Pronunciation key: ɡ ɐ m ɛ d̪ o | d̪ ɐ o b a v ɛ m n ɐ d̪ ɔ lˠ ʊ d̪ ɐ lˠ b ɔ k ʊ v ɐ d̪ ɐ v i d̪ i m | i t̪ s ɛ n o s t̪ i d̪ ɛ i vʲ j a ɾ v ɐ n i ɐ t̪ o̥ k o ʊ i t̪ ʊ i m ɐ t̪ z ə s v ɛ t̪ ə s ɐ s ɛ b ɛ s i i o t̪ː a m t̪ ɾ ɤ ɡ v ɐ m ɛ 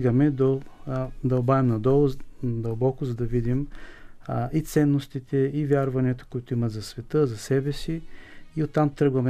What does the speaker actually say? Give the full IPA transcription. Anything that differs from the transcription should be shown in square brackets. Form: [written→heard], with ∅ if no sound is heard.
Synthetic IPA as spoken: ɡ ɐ m ɛ d̪ o | d̪ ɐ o b a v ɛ m n ɐ d̪ ɔ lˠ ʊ d̪ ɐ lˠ b ɔ k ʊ [v→z] ɐ d̪ ɐ v i d̪ i m | i t̪ s ɛ [n→nː] o s t̪ i [d̪→t̪] ɛ i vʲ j a ɾ v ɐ n i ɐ t̪ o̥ k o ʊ i t̪ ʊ i m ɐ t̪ z [ə→ɐ] s v ɛ t̪ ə [s→z] ɐ s ɛ b ɛ s i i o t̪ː a m t̪ ɾ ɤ ɡ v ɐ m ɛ